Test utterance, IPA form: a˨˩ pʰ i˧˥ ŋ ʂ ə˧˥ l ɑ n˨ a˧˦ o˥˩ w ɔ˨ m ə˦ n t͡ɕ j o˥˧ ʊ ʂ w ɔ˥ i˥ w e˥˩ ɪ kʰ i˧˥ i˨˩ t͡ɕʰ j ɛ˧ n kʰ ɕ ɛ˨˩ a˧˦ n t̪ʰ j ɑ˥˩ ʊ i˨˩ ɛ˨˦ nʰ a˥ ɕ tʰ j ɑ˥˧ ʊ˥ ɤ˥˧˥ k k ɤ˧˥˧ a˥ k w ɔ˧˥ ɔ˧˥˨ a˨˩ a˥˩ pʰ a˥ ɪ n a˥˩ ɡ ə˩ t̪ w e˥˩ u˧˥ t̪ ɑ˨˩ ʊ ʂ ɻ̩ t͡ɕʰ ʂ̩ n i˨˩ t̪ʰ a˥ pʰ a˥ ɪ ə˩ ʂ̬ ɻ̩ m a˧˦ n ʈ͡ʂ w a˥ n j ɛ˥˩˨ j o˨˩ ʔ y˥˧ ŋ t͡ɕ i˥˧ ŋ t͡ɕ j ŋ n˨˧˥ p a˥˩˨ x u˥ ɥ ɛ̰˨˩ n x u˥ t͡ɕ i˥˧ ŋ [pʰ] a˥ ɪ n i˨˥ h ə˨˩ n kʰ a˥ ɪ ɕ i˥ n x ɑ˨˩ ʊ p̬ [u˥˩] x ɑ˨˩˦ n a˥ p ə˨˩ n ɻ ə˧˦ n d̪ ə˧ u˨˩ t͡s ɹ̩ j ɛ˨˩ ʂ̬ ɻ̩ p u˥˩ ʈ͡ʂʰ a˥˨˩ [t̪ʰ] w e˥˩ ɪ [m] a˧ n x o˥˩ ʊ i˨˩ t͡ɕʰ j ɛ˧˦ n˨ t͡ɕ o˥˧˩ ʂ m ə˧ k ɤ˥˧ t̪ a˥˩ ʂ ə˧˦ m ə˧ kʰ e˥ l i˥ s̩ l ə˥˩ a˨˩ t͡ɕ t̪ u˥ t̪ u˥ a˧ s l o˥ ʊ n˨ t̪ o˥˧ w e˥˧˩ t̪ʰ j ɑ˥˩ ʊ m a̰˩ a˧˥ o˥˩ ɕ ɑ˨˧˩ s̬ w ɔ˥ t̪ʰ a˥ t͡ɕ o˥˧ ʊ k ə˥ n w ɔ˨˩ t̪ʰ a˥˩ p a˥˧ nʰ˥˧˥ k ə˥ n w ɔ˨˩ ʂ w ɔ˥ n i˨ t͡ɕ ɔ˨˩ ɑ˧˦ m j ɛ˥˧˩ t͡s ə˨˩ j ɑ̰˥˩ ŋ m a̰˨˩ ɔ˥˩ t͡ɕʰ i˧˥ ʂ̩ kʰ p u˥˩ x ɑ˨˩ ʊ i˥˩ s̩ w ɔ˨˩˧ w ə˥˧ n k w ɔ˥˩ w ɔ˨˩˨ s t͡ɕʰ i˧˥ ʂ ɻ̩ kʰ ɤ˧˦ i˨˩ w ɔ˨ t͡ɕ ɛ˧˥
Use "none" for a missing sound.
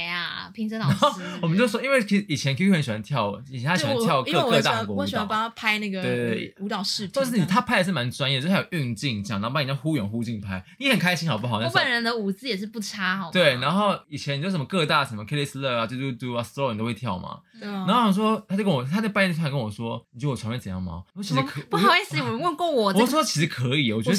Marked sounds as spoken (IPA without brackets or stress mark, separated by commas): pʰ, u˥, t̪, n